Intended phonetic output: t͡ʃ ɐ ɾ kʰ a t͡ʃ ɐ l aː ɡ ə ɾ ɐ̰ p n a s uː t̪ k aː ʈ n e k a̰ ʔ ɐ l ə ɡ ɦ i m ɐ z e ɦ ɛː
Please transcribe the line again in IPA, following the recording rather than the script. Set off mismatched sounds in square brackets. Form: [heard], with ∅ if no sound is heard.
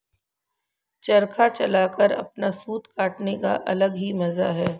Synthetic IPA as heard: t͡ʃ ɐ ɾ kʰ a t͡ʃ ɐ l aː [k] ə ɾ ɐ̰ p n a s uː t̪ k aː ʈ n e k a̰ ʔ ɐ l ə ɡ ɦ i m ɐ z [a] ɦ ɛː

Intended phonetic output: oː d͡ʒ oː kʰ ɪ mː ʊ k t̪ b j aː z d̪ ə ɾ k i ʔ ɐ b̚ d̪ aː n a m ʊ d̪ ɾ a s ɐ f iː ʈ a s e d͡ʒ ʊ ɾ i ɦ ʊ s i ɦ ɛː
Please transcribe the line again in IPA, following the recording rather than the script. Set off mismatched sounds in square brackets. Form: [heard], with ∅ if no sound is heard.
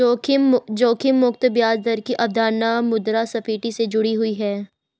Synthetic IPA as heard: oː d͡ʒ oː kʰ ɪ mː ʊ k t̪ b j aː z d̪ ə ɾ k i ʔ ɐ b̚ d̪ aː n a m ʊ d̪ ɾ a s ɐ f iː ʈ [i] s e d͡ʒ ʊ [ɽ] i ɦ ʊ [∅] i ɦ ɛː

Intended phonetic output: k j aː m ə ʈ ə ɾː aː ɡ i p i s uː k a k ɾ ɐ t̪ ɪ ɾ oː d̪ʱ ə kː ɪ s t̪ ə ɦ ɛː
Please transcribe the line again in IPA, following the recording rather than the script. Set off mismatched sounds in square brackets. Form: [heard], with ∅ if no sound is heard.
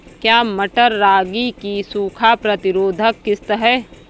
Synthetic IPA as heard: k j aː m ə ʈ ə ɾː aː ɡ i [k] i s uː [kʰ] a [p] ɾ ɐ t̪ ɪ ɾ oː d̪ʱ ə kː ɪ s t̪ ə ɦ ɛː

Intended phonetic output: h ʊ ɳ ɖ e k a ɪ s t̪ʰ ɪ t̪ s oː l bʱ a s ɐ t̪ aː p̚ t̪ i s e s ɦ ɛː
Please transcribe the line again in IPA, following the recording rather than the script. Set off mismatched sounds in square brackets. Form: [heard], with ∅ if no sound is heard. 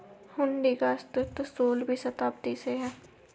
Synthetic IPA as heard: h ʊ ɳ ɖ [i] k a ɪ s [t̪] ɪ t̪ s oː l bʱ [i] s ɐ t̪ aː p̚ t̪ i s e [∅] ɦ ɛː

